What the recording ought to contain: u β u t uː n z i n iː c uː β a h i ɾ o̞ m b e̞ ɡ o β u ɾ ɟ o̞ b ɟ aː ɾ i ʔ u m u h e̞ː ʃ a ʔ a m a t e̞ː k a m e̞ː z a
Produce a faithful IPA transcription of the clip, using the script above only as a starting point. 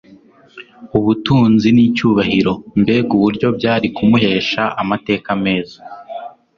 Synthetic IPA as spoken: u β u t uː n z i n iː c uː β a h i ɾ o̞ m b e̞ ɡ u β u ɾ ɟ o̞ b ɟ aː ɾ i k u m u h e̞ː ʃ a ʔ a m a t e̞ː k a m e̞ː z a